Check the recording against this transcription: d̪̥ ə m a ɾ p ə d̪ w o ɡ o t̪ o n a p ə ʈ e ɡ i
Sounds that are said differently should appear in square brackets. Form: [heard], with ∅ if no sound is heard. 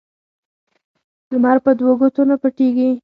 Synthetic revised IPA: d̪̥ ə m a ɾ p ə d̪ w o ɡ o t̪ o n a p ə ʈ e ɡ i